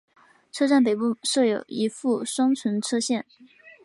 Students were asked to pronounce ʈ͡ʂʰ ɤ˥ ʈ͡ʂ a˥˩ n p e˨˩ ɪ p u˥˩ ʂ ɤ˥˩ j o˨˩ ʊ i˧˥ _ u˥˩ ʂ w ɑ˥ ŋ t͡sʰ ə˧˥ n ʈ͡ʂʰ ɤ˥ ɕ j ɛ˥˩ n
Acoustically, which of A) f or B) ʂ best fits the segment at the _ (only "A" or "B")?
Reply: A